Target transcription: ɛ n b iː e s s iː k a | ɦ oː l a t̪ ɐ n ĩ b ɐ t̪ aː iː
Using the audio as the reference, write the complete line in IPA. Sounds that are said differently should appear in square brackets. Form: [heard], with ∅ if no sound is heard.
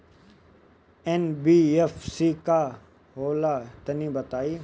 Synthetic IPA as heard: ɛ n b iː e [f] s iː k a | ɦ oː l a t̪ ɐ n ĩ b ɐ t̪ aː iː